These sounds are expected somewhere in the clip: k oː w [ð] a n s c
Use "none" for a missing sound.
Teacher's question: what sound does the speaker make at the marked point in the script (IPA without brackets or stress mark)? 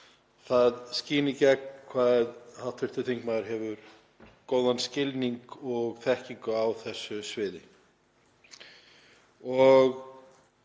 ð